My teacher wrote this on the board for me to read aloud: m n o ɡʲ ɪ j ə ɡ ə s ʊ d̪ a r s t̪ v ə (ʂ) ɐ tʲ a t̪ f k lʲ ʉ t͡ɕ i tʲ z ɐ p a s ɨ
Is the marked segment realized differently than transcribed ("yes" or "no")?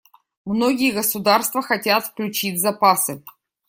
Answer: yes